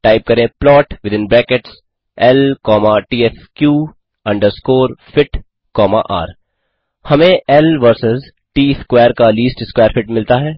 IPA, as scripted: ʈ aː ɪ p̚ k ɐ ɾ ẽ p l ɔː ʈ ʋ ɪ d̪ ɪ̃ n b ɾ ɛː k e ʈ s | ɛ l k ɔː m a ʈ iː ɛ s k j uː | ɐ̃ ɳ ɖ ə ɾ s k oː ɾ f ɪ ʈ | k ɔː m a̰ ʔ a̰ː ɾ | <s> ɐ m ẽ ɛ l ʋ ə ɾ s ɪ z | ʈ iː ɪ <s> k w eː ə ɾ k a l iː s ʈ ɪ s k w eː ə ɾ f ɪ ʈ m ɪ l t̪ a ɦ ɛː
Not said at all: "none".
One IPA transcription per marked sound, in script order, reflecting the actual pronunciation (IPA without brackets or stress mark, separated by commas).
h, s